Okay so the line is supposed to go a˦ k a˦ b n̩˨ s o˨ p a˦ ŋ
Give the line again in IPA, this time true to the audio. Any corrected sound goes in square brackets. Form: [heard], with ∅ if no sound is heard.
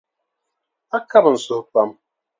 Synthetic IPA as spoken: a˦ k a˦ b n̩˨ s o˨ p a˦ [m]